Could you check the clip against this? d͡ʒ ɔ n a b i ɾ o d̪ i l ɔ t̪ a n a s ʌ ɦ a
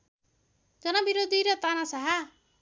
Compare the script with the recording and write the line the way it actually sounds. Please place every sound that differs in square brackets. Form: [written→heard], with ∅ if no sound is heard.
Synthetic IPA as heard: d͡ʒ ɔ n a b i ɾ o d̪ i [l→ɾ] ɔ t̪ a n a s [ʌ→a] ɦ a